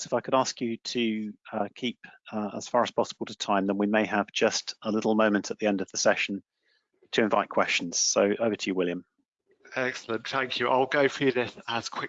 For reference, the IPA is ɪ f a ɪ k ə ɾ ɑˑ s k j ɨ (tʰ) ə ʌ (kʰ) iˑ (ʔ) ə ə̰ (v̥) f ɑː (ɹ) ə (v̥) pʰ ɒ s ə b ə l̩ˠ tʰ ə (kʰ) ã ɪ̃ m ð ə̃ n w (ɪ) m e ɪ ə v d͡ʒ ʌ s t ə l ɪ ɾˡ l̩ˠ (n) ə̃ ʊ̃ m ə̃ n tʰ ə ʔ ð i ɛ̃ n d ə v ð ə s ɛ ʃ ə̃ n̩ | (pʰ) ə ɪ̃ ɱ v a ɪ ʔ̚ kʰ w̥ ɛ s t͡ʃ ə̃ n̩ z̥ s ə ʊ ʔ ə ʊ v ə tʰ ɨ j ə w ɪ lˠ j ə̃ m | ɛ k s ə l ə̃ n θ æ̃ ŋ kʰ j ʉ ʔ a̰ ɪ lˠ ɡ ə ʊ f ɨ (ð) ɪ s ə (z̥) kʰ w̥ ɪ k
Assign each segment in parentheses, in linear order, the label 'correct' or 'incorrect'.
correct, correct, incorrect: p, incorrect: z̥, correct, incorrect: z̥, incorrect: tʰ, incorrect: i, incorrect: m, incorrect: tʰ, correct, correct

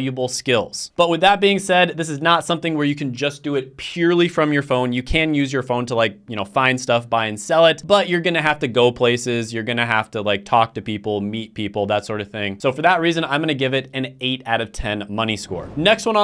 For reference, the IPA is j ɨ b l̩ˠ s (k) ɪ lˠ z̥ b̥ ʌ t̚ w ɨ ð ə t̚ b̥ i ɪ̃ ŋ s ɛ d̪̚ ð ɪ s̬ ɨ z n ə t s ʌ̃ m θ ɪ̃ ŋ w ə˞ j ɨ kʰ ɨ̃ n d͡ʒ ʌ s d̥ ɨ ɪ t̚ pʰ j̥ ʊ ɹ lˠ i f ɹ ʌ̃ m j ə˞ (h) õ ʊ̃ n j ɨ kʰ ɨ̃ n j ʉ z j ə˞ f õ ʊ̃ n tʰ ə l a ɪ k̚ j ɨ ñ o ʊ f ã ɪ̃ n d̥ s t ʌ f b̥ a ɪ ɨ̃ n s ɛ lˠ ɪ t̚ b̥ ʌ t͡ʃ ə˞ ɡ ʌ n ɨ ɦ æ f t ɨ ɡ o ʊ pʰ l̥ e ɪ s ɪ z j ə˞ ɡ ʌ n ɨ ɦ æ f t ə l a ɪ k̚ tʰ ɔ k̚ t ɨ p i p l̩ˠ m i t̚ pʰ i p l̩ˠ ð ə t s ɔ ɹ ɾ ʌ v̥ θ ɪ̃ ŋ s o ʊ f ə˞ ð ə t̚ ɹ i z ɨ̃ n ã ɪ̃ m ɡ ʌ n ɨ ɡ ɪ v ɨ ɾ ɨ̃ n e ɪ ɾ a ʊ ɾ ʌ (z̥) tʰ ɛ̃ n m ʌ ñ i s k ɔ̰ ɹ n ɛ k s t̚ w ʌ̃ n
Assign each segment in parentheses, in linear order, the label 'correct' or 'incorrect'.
correct, incorrect: f, incorrect: v̥

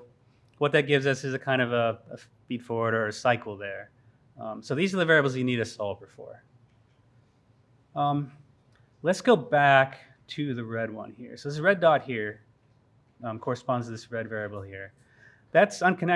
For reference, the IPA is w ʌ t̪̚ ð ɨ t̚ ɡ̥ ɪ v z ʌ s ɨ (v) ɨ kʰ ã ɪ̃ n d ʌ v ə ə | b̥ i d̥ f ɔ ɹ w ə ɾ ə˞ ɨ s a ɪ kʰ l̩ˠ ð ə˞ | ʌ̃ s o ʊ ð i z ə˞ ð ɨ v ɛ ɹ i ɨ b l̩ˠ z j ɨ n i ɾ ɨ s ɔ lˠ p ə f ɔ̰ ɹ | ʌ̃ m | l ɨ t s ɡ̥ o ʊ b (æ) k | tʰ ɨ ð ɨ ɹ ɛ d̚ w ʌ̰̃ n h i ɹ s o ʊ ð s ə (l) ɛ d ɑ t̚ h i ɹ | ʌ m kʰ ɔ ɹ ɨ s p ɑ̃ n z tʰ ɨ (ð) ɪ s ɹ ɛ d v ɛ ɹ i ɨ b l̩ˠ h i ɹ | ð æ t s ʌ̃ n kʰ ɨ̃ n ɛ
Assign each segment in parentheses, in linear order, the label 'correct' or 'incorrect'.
incorrect: z, correct, incorrect: ɹ, correct

